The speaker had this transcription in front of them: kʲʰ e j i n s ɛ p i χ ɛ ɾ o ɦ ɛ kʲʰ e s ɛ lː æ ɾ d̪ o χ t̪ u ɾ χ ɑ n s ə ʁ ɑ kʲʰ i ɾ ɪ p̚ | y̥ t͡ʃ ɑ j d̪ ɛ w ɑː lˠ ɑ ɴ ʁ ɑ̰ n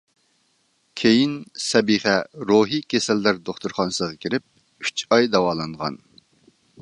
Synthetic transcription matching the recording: kʲʰ e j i n s ɛ b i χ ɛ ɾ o ɦ i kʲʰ e s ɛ lː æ ɾ d̪ o χ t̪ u ɾ χ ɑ n s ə ʁ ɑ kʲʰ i ɾ ɪ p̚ | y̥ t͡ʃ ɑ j d̪ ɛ w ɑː lˠ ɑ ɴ ʁ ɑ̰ n